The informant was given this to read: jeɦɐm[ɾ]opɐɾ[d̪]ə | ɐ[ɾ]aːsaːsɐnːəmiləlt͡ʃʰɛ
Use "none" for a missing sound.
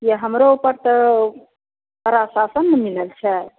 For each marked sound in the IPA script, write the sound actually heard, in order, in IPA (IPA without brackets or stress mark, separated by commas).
ɾ, t̪, ɾ